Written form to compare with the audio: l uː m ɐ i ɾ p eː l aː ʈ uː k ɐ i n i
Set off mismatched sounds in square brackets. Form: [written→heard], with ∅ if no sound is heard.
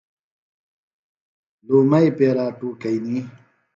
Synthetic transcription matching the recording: l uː m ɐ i [ɾ→∅] p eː [l→ɾ] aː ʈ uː k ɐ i n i